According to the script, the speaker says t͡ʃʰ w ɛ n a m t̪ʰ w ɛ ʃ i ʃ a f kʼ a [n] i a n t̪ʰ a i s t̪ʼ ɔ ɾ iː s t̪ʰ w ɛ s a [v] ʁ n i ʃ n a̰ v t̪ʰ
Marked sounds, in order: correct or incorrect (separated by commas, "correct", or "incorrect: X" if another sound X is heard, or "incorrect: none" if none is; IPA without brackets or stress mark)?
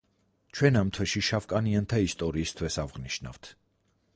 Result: correct, correct